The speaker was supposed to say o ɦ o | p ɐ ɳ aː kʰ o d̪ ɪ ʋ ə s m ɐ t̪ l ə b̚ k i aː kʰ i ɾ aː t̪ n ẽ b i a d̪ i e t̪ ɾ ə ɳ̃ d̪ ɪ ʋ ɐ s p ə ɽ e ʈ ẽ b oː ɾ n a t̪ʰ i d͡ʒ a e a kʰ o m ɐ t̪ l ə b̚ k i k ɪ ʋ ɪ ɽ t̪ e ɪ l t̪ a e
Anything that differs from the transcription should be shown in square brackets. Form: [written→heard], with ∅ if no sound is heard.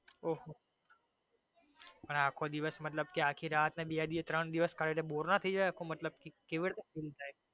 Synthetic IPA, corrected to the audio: o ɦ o | p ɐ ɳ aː kʰ o d̪ ɪ ʋ ə s m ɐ t̪ l ə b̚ k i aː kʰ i ɾ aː t̪ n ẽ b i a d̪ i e t̪ ɾ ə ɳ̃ d̪ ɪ ʋ [ɐ→ə] s [p→k] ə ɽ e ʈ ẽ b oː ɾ n a t̪ʰ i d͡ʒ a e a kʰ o m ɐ t̪ l ə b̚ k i k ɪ ʋ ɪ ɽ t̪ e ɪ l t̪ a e